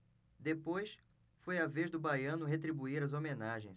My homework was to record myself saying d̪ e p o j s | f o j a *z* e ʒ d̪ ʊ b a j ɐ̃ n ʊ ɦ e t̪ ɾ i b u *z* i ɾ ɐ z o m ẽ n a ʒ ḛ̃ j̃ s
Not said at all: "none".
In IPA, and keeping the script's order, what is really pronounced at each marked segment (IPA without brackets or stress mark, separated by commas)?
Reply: v, none